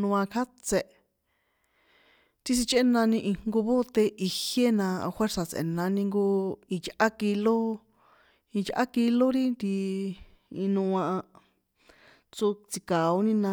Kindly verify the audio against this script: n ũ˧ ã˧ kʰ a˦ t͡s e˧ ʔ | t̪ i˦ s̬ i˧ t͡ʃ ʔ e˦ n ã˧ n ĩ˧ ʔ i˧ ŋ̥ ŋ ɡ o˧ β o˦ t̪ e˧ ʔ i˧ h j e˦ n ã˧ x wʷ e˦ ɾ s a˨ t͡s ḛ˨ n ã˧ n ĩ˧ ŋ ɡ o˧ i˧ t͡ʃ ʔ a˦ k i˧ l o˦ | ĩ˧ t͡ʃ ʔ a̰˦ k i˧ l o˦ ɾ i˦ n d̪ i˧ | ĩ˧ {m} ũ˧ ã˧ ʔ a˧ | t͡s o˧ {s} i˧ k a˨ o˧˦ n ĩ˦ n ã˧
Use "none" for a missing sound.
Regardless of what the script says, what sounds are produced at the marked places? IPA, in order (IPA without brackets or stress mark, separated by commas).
n, t͡s